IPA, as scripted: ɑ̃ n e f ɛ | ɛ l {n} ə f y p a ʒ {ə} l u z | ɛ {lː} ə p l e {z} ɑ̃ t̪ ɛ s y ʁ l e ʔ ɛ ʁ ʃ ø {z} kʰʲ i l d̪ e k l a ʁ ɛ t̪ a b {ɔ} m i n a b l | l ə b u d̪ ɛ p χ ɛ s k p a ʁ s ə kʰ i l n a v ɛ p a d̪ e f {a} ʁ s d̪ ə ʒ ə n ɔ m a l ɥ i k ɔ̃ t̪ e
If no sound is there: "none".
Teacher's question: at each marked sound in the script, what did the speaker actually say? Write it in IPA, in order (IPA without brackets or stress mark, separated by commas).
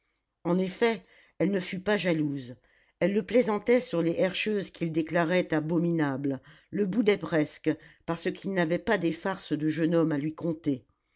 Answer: n, a, lː, z, z, ɔ, a